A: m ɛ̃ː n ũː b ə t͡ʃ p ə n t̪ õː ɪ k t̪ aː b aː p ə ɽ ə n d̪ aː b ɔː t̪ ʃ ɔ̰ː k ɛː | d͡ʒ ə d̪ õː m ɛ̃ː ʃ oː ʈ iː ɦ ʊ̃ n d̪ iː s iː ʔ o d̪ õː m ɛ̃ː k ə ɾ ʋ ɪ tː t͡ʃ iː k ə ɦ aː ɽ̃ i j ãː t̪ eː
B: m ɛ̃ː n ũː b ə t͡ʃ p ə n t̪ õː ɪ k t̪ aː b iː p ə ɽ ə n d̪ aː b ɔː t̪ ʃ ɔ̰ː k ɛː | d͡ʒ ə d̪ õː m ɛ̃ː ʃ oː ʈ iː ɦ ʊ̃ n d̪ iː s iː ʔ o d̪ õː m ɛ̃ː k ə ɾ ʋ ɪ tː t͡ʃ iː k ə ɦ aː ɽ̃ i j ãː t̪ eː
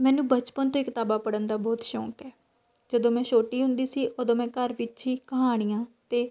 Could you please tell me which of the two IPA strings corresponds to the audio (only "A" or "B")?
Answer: A